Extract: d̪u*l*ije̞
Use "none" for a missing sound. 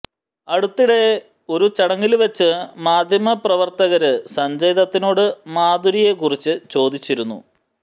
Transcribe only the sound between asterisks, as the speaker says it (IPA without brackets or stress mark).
ɾ